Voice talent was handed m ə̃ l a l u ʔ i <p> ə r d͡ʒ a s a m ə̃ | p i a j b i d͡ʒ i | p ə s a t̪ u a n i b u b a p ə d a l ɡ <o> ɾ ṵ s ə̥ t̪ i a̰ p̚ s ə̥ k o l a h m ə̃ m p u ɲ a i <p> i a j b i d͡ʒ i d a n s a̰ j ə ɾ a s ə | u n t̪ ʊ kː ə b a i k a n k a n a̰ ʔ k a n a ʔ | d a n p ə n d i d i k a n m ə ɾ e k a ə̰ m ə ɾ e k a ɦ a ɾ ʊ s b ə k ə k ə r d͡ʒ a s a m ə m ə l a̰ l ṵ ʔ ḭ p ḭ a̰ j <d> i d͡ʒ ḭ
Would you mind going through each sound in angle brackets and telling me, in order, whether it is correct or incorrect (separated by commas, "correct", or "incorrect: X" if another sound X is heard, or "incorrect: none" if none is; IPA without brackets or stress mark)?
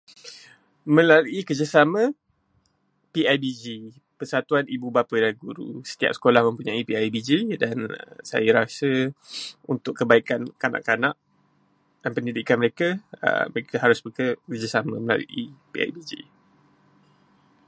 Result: incorrect: k, incorrect: u, correct, incorrect: b